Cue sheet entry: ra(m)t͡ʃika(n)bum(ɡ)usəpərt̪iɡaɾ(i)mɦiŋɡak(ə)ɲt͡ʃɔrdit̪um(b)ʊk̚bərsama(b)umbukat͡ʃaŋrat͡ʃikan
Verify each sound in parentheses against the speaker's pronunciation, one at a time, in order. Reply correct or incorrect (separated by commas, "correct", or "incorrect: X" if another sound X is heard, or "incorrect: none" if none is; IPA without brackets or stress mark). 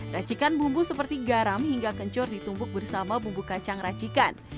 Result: incorrect: none, correct, incorrect: b, incorrect: a, correct, correct, correct